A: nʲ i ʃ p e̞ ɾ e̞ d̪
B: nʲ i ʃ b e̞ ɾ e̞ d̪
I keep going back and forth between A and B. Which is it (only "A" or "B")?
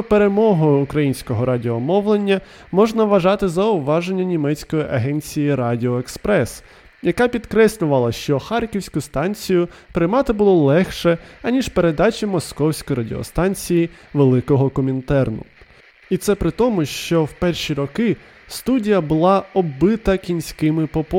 A